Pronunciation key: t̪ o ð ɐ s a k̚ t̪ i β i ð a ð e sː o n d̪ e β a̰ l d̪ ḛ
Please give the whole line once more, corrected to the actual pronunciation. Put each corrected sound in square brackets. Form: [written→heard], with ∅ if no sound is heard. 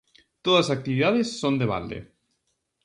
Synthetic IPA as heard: t̪ o ð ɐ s a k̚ t̪ i β i ð a ð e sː o n d̪ e β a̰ l d̪ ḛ